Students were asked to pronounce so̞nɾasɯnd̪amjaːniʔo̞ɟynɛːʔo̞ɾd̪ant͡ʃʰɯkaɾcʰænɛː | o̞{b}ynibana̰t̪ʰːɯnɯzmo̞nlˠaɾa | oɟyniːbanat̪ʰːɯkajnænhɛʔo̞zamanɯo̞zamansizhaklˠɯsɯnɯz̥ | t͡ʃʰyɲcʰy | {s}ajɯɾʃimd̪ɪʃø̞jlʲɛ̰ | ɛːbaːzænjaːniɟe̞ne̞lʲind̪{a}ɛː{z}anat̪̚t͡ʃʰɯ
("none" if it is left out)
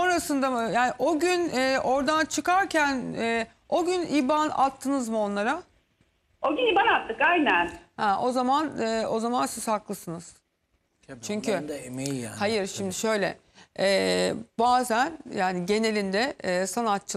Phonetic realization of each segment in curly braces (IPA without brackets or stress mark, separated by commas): ɟ, h, ɛ, s